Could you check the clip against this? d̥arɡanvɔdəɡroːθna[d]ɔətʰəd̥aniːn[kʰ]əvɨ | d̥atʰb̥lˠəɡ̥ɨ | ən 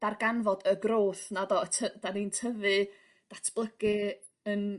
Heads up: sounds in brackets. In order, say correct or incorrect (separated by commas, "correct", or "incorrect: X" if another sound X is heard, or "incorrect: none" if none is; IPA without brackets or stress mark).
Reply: correct, incorrect: tʰ